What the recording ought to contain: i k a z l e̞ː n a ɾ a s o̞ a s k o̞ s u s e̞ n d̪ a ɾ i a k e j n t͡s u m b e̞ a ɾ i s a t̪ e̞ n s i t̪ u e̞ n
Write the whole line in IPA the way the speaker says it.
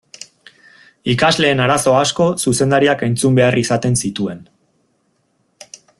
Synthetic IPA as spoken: i k a z l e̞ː n a ɾ a s o̞ a s k o̞ s u s e̞ n d̪ a ɾ i a k e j n t͡s u m b e̞ a r i s a t̪ e̞ n s i t̪ u e̞ n

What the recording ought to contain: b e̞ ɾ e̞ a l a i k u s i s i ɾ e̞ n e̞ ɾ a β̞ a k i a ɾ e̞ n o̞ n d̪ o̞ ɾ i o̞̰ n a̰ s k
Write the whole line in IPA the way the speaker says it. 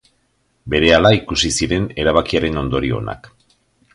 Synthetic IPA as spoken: b e̞ ɾ e̞ a l a i k u s i s i ɾ e̞ n e̞ ɾ a β̞ a k i a ɾ e̞ n o̞ n d̪ o̞ ɾ i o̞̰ n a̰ k

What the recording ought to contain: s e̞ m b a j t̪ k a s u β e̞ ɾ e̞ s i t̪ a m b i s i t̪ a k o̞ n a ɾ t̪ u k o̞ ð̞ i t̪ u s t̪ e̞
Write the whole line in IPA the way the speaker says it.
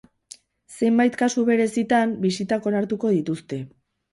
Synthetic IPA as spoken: s e̞ m b a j t̪ k a s u β e̞ ɾ e̞ s i t̪ a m b i s i t̪ a k o̞ n a ɾ t̪ u k o̞ ð̞ i t̪ u s t̪ e̞

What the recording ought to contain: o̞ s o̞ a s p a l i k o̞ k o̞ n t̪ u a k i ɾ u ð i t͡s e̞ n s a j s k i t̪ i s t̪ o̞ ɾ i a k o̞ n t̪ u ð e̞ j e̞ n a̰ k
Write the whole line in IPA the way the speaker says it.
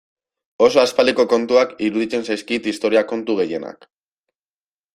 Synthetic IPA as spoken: o̞ s o̞ a s p a l i k o̞ k o̞ n t̪ u a k i ɾ u ð i t͡s e̞ n s a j s k i t̪ i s t̪ o̞ ɾ i a k o̞ n t̪ u ɣ e̞ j e̞ n a̰ k

